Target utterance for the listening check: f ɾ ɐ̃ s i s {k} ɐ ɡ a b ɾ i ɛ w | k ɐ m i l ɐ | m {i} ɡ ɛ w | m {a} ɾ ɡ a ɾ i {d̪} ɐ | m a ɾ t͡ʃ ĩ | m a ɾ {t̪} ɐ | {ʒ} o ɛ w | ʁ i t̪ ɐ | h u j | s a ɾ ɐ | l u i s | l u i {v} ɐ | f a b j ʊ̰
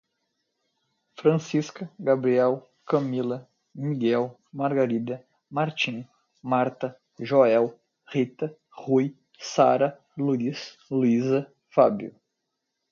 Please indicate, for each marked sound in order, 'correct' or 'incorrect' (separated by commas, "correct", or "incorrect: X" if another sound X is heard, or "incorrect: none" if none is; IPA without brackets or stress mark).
correct, correct, correct, correct, correct, correct, incorrect: z